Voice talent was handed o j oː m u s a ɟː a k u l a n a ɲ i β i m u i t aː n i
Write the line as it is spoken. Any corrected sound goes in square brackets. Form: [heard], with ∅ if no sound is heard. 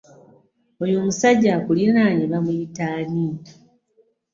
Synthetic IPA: o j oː m u s a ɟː a k u l [i] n a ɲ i β [a] m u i t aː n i